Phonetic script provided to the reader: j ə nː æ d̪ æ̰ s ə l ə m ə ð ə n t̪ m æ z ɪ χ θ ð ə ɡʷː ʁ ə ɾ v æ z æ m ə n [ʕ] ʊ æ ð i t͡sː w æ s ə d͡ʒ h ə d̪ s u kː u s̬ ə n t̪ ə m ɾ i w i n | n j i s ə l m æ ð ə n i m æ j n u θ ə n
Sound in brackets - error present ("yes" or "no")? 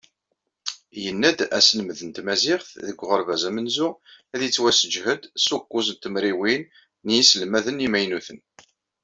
yes